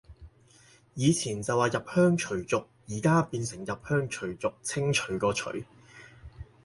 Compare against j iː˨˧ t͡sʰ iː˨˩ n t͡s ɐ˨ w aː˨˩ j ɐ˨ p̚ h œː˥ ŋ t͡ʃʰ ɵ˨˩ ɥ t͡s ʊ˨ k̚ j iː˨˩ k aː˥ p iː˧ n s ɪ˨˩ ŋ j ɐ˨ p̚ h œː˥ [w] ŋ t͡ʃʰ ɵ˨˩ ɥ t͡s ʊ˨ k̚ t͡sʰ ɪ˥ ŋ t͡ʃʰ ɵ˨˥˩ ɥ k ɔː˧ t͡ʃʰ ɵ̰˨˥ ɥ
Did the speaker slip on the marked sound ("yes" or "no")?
yes